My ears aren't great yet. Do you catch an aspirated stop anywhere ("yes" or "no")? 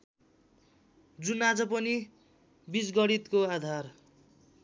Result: no